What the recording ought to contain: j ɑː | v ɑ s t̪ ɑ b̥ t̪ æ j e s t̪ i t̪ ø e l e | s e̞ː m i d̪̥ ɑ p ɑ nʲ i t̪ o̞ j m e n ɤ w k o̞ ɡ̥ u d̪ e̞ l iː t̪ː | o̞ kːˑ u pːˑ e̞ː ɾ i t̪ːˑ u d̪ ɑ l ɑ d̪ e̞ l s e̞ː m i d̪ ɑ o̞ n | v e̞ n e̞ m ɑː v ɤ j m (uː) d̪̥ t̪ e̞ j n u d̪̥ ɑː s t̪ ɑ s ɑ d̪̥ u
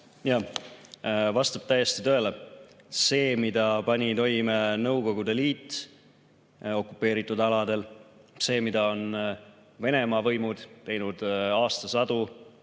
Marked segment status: incorrect: u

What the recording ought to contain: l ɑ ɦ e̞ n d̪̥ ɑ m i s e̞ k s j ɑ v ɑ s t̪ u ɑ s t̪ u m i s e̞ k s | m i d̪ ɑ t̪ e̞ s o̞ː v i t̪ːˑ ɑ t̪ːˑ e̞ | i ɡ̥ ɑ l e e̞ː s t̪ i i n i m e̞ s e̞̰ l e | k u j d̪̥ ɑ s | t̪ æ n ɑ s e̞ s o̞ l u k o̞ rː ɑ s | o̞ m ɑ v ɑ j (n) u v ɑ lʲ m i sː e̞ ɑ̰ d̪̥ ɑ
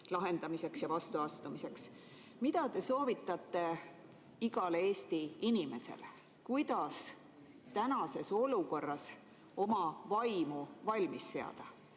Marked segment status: incorrect: m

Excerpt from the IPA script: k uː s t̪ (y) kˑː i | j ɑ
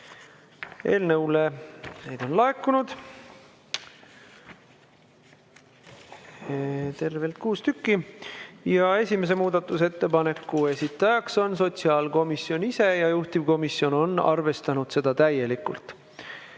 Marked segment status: correct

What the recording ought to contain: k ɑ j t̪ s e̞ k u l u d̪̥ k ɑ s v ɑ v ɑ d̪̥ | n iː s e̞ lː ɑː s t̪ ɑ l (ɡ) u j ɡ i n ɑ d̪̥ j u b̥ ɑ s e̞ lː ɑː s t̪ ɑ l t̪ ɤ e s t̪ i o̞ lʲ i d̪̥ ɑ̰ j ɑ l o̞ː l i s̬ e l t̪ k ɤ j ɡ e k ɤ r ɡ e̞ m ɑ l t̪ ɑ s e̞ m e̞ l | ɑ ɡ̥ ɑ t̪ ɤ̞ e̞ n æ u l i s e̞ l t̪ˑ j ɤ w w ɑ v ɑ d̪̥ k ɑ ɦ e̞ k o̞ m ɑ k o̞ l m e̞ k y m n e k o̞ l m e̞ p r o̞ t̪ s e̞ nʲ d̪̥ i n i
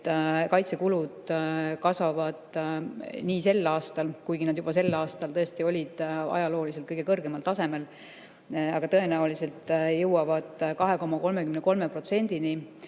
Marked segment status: incorrect: k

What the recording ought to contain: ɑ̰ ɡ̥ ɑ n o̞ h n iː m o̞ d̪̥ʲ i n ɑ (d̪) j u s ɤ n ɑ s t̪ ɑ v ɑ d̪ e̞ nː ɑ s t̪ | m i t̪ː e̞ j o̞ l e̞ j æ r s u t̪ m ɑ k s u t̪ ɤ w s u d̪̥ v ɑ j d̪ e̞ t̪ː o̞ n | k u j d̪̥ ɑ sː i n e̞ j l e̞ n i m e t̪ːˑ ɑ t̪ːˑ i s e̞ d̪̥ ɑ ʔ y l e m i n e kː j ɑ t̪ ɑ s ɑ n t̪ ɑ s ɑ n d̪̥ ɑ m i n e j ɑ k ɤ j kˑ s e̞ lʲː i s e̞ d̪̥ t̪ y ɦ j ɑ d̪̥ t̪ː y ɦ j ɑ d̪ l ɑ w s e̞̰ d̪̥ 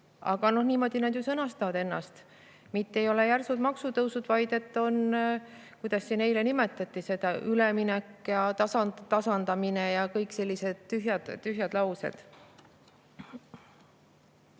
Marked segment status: correct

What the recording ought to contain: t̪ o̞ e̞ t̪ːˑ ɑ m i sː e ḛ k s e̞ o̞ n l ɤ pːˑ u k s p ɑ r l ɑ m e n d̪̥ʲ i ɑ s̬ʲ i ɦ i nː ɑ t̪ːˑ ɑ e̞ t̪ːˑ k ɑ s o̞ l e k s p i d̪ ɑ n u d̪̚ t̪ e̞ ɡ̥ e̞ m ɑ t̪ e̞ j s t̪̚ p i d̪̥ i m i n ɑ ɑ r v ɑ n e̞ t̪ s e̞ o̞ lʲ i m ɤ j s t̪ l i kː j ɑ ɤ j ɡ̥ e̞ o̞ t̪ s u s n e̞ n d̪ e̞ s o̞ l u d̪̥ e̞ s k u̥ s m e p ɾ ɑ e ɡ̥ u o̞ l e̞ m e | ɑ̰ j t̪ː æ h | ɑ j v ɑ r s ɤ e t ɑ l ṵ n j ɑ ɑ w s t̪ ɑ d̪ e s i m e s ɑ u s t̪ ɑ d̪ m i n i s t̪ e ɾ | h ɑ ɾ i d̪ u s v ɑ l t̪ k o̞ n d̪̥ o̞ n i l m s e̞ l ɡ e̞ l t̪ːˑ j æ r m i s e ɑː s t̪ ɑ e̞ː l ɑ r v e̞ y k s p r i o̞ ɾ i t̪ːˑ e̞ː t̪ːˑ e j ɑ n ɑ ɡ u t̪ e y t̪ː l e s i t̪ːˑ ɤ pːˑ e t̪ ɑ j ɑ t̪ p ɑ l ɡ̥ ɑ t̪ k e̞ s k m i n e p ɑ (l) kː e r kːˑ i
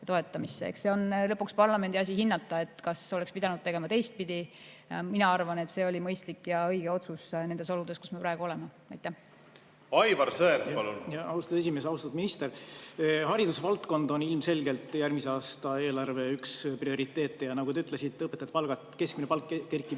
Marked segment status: correct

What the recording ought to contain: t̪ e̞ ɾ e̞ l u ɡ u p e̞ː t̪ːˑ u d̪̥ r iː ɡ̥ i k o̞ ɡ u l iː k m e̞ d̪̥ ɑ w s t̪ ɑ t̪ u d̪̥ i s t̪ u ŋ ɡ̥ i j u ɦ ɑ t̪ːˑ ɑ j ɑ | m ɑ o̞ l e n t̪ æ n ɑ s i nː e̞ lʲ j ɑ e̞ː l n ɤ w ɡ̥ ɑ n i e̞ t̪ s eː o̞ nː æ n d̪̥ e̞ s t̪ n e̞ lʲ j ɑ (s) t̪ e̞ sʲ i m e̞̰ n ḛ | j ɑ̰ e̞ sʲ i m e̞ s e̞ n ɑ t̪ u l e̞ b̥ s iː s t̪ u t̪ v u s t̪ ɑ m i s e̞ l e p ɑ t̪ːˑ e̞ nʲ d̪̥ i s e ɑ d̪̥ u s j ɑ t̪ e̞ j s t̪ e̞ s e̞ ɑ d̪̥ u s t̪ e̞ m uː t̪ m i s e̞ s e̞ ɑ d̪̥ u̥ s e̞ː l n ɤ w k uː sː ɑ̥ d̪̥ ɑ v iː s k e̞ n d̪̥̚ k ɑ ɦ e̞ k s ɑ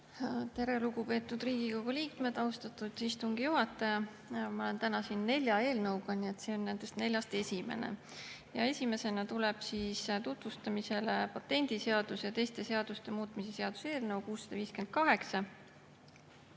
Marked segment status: correct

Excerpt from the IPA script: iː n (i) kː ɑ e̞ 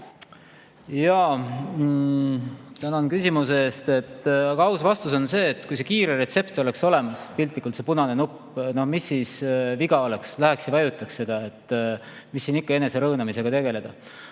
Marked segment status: correct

